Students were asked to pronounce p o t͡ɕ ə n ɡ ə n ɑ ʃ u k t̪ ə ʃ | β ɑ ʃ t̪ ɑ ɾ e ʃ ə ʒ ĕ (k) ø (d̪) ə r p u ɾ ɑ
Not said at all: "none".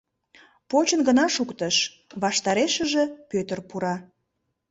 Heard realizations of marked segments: p, t̪

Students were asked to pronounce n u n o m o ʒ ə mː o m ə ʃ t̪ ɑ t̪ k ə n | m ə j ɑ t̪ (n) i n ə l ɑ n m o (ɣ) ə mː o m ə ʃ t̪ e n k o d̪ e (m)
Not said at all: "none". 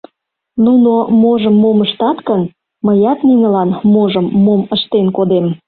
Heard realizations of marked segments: n, ʒ, m

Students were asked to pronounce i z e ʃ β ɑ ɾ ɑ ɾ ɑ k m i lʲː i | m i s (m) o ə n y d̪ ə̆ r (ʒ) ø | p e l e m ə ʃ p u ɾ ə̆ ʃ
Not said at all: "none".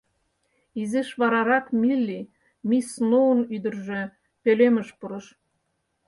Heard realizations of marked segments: n, ʒ

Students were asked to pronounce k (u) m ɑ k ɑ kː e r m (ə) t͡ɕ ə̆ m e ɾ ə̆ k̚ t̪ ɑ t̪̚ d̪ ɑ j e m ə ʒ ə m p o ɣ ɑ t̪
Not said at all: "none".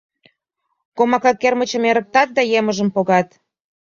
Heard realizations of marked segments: o, ə

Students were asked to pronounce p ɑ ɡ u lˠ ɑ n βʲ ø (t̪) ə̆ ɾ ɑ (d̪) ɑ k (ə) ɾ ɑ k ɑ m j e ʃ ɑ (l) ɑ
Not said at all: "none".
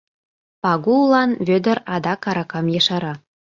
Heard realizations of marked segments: d̪, d̪, ɑ, ɾ

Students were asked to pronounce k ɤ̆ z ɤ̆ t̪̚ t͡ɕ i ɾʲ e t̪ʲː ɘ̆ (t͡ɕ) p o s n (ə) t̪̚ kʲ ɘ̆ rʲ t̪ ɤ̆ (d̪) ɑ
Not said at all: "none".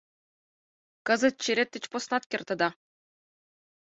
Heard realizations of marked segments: t͡ɕ, ɑ, d̪

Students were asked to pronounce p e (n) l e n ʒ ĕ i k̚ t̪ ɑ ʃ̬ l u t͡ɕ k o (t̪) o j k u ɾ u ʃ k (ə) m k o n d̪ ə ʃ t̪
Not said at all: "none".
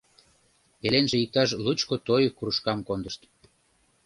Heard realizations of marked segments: none, t̪, ɑ

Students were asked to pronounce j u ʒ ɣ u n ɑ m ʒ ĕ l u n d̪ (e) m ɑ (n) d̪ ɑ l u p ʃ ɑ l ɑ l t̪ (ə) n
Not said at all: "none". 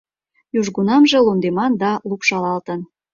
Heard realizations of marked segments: e, n, ə

